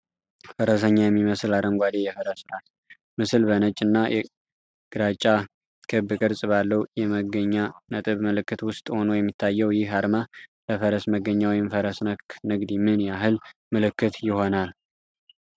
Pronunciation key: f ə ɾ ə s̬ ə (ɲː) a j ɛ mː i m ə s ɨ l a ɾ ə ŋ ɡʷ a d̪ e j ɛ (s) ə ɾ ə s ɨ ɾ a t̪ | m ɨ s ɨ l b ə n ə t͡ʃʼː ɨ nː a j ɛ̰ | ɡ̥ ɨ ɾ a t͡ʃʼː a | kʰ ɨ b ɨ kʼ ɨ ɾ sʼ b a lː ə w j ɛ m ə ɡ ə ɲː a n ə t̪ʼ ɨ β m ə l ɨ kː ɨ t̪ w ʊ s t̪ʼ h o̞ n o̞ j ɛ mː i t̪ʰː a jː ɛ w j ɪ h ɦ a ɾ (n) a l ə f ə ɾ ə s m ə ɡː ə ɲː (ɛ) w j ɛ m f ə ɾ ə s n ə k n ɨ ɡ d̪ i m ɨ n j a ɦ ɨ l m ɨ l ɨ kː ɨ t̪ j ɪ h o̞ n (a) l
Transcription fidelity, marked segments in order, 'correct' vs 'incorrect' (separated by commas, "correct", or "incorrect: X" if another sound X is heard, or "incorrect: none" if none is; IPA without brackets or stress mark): correct, incorrect: f, incorrect: m, incorrect: a, correct